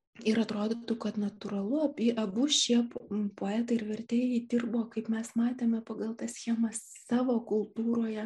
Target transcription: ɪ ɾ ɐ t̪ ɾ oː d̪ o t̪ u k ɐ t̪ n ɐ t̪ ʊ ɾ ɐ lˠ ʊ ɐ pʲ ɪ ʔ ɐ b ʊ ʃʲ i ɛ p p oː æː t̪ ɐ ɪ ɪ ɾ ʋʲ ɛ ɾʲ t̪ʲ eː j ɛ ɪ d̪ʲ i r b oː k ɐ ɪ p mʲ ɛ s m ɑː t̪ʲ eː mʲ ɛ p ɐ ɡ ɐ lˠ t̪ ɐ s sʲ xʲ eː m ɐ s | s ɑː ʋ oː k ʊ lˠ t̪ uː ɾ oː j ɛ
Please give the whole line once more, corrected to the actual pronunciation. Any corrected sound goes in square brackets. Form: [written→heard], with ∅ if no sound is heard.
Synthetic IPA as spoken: ɪ ɾ ɐ t̪ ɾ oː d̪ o t̪ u k ɐ t̪ n ɐ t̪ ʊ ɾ ɐ lˠ ʊ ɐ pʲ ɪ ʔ ɐ b ʊ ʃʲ i ɛ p p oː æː t̪ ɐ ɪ ɪ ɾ ʋʲ ɛ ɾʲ t̪ʲ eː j ɛ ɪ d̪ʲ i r b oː k ɐ ɪ p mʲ ɛ s m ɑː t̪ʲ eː mʲ ɛ p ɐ ɡ ɐ lˠ t̪ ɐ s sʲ xʲ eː m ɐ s | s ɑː ʋ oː k ʊ lˠ t̪ uː ɾ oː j ɛ